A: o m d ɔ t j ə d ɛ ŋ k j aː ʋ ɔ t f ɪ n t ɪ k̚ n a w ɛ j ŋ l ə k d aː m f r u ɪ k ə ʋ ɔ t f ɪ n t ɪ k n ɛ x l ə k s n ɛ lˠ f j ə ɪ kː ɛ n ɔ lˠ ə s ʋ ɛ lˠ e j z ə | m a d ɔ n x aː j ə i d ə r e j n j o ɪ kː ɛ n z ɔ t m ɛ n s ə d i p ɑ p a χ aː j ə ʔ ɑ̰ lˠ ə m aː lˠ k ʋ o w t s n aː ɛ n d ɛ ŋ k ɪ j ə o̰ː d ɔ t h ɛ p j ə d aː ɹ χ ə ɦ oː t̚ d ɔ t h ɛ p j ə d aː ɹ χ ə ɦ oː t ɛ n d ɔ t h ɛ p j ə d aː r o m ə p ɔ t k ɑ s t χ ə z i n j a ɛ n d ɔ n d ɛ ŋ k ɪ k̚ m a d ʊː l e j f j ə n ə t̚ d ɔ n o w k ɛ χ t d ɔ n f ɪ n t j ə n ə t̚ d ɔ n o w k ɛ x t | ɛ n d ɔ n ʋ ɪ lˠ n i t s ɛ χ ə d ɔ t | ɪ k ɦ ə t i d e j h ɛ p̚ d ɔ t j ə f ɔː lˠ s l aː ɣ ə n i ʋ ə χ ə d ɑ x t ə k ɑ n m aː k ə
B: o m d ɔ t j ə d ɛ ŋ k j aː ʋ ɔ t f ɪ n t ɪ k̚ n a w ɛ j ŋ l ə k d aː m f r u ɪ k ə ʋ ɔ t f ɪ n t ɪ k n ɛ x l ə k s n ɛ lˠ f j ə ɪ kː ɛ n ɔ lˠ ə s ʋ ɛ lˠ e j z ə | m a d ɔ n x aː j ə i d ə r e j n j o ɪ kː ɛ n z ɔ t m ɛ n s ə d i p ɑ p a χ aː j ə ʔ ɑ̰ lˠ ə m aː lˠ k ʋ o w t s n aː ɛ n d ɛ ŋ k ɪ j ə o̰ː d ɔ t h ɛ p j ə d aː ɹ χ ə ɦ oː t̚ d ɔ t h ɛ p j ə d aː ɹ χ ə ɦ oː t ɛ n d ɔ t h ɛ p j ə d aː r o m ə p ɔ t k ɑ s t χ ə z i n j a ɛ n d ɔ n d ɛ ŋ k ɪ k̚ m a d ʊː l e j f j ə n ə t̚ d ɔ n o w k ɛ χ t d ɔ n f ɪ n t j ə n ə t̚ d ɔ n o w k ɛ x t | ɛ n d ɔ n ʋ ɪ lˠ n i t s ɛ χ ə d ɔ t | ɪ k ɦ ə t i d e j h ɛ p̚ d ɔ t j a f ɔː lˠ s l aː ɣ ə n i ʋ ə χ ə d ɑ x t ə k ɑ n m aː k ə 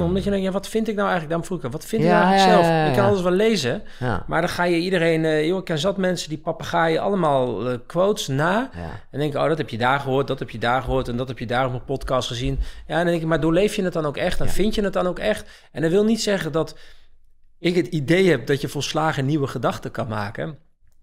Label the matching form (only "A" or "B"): A